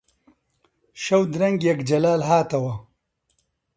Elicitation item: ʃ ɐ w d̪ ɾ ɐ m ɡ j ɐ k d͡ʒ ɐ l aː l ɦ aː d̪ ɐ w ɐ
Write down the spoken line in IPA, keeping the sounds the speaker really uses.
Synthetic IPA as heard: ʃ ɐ w d̪ ɾ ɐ ŋ ɡ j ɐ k d͡ʒ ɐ l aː l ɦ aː t̪ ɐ w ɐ